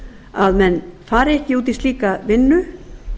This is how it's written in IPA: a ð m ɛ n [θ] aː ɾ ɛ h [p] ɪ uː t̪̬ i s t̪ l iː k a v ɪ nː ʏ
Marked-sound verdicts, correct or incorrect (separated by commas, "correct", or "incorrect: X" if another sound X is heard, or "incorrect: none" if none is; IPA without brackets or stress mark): incorrect: f, incorrect: c